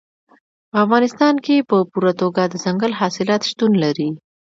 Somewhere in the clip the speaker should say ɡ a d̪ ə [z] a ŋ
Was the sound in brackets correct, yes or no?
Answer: yes